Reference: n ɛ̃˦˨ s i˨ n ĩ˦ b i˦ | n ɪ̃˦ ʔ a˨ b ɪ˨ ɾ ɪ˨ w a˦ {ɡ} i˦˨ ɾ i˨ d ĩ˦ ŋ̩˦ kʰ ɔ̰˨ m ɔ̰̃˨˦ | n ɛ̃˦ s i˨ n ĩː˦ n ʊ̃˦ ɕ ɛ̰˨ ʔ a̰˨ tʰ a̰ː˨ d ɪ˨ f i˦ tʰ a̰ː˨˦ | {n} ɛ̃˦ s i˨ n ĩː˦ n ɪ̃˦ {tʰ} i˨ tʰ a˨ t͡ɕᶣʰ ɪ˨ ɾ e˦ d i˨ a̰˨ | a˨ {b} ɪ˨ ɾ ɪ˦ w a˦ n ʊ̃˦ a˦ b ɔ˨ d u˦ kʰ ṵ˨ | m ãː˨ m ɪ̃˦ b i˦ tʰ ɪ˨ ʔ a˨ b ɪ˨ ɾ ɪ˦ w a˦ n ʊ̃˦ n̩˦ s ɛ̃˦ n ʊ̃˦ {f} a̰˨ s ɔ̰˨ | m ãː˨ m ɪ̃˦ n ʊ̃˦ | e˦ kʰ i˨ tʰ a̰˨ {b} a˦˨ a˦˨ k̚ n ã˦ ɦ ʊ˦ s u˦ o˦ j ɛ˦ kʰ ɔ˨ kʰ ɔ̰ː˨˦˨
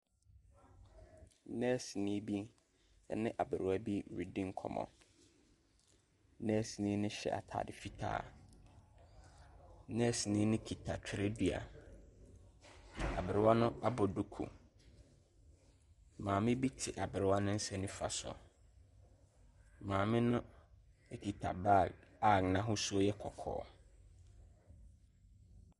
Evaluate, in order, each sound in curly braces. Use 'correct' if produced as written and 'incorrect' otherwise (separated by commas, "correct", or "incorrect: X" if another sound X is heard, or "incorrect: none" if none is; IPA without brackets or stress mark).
incorrect: b, correct, incorrect: kʰ, correct, correct, correct